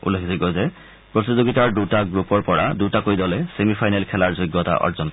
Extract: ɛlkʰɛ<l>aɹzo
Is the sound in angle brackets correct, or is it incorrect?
correct